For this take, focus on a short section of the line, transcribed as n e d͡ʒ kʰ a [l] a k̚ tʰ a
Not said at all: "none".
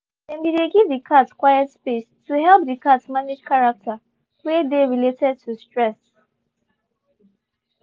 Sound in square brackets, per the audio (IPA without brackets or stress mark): ɹ